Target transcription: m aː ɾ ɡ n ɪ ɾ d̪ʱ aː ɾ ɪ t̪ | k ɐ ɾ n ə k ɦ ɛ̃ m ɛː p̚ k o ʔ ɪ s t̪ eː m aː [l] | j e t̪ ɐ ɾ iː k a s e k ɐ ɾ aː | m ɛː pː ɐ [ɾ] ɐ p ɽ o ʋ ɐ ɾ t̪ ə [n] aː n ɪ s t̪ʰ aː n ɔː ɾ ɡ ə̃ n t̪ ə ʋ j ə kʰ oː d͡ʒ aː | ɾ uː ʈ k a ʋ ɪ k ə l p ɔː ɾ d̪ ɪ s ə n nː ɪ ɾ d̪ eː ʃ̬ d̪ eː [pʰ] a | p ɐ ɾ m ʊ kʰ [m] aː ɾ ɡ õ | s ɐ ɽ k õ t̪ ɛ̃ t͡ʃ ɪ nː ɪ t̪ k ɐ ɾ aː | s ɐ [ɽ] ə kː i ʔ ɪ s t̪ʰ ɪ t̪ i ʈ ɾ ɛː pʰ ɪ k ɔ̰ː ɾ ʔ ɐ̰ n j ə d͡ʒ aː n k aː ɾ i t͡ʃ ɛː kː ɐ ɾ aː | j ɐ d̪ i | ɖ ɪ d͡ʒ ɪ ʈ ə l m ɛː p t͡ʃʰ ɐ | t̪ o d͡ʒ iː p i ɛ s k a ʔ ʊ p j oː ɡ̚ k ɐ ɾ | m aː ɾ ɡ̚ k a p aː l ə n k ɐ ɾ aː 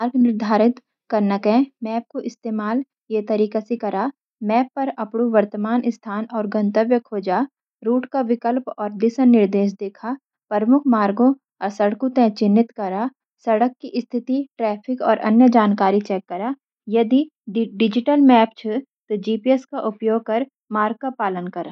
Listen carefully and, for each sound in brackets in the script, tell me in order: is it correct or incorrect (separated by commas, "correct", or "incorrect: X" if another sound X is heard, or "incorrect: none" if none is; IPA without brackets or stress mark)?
correct, correct, incorrect: m, incorrect: kʰ, correct, correct